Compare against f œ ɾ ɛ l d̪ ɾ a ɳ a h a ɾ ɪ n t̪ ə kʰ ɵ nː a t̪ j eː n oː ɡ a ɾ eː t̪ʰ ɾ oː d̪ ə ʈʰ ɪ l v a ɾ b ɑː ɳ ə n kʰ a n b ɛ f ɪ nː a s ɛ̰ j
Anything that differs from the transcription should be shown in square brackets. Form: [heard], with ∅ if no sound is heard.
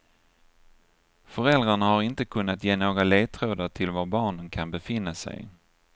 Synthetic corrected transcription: f œ ɾ ɛ l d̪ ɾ a ɳ a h a ɾ ɪ n t̪ ə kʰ ɵ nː a t̪ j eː n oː ɡ a [l] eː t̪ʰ ɾ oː d̪ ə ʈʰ ɪ l v a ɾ b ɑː ɳ ə n kʰ a n b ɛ f ɪ nː a s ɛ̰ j